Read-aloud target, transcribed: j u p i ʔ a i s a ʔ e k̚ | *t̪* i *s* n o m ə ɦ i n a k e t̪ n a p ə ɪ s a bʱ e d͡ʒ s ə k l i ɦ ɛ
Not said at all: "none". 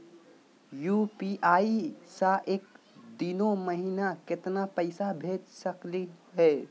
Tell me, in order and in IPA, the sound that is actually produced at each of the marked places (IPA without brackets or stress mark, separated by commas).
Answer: d̪, none